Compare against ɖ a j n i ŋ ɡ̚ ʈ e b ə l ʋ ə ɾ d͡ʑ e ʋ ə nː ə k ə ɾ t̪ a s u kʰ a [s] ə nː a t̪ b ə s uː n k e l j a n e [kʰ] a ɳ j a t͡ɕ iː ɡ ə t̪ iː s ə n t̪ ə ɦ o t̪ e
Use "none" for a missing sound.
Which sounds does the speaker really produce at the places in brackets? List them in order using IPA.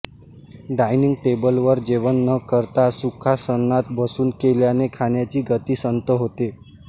s, kʰ

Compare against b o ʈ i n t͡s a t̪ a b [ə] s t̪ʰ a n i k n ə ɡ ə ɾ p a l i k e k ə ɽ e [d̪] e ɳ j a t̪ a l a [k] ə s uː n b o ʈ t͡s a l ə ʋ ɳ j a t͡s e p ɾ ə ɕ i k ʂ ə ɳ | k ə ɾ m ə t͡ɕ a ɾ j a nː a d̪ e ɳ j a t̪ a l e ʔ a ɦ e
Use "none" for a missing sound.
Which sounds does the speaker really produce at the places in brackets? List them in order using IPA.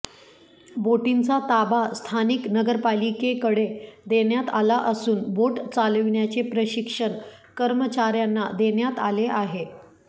a, d̪, ʔ

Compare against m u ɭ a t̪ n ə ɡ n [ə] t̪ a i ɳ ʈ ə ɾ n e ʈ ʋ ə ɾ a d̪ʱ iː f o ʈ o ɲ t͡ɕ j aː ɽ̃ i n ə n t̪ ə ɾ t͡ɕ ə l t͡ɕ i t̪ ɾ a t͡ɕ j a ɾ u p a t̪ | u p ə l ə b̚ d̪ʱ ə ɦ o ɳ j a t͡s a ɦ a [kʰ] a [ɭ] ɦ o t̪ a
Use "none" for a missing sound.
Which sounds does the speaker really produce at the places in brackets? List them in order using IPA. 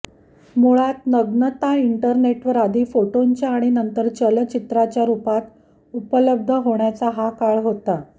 ə, k, ɭ

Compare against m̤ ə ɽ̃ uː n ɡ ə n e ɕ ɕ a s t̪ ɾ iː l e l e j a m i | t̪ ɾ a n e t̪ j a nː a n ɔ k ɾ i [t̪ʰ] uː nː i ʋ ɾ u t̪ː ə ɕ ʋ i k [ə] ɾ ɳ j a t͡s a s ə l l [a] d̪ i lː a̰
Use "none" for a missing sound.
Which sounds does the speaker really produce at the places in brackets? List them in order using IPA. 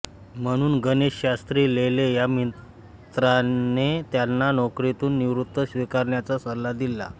t̪, a, a

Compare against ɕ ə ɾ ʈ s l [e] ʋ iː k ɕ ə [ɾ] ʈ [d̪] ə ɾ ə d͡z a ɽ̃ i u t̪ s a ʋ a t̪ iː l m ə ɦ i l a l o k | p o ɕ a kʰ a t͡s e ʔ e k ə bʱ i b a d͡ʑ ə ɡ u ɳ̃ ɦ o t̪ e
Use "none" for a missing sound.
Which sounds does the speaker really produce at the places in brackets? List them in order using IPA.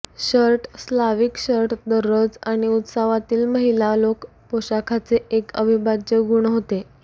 a, ɾ, d̪

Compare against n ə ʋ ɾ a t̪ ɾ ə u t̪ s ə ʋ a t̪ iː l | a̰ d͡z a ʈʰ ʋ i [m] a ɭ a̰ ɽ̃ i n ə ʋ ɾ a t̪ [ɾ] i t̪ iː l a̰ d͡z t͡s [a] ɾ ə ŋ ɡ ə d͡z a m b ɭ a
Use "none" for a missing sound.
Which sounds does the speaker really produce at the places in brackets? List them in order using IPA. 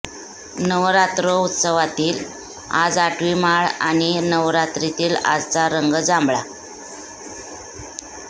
m, ɾ, a

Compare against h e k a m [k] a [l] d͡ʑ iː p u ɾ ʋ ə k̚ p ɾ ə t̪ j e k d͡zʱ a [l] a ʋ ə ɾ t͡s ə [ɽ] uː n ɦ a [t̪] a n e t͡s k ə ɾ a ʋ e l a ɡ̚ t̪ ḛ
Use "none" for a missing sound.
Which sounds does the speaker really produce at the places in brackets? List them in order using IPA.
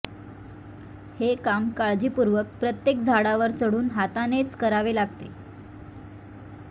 k, ɭ, ɽ, ɽ, t̪

